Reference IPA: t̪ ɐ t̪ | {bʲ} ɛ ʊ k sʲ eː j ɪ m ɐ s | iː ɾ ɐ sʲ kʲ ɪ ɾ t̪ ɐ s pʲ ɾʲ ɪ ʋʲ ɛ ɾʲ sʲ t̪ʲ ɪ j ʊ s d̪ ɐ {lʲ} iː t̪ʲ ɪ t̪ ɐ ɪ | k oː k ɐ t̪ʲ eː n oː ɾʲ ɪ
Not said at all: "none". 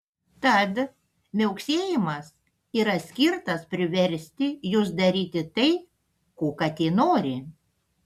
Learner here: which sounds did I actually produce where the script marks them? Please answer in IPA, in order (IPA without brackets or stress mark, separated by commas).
mʲ, ɾʲ